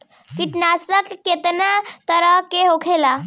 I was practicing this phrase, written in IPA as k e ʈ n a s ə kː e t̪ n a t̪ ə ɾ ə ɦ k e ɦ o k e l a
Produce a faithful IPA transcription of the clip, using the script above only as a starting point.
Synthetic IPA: k i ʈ n a s ə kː e t̪ n a t̪ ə ɾ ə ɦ k e ɦ o kʰ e l a